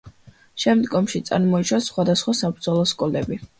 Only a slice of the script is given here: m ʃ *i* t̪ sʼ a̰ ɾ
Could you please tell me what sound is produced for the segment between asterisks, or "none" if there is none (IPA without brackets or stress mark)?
i